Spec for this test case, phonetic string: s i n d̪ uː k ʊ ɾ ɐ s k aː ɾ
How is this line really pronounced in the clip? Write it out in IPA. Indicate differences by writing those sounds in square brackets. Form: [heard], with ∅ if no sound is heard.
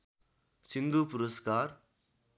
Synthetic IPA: s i n d̪ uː [p] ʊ ɾ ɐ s k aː ɾ